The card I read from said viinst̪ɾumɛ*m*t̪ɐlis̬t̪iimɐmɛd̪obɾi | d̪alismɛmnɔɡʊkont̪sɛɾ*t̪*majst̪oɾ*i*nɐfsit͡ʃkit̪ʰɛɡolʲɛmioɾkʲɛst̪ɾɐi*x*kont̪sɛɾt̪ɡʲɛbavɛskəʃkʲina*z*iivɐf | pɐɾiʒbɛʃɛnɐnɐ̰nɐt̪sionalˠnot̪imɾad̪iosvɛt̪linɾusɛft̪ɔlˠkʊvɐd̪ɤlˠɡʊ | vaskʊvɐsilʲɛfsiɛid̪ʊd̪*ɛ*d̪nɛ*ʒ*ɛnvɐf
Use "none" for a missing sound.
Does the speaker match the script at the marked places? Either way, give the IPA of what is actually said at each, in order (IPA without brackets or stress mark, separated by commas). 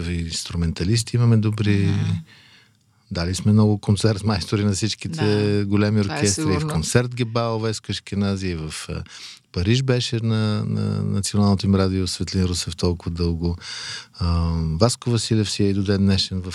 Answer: n, t̪, i, f, z, ɛ, ʃ